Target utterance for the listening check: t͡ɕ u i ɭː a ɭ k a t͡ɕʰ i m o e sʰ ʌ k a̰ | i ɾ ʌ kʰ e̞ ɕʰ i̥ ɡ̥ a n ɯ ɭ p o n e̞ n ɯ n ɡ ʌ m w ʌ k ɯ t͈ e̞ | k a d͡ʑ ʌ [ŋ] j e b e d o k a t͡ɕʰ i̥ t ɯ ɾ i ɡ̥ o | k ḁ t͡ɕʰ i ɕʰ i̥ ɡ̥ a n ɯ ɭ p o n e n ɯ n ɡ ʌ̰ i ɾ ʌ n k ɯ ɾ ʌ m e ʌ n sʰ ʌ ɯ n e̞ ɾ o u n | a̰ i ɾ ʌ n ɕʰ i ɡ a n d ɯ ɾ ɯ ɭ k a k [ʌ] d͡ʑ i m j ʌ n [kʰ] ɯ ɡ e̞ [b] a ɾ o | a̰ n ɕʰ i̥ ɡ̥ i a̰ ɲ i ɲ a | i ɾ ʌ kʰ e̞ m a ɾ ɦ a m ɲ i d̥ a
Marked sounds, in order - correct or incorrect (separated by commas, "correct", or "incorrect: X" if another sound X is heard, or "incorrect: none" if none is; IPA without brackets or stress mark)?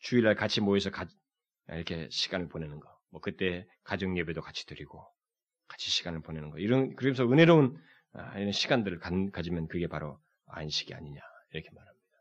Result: correct, incorrect: a, incorrect: k, incorrect: p